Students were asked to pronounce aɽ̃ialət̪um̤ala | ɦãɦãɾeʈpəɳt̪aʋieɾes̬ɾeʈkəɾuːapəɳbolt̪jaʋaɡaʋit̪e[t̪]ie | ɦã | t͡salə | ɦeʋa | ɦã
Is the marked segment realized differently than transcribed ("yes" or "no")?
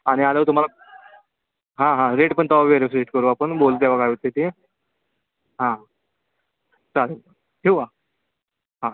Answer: no